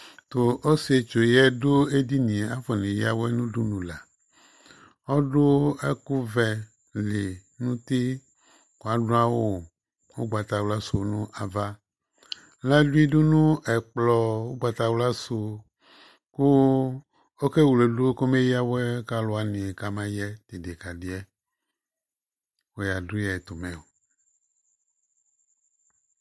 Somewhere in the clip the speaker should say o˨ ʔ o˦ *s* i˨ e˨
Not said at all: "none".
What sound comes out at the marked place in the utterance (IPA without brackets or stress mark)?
s